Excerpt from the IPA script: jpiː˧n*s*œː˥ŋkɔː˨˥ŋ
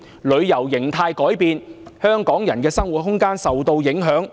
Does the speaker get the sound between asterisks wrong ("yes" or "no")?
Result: yes